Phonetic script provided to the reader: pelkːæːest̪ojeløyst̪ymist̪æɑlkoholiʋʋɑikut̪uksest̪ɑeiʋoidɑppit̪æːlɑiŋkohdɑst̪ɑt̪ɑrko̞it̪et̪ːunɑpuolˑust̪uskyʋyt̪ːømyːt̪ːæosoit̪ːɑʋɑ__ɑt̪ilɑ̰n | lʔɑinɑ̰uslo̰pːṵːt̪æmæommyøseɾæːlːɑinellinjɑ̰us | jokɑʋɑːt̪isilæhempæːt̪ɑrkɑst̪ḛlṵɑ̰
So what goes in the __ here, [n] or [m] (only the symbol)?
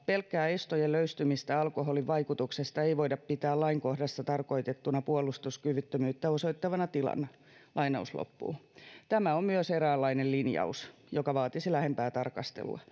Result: n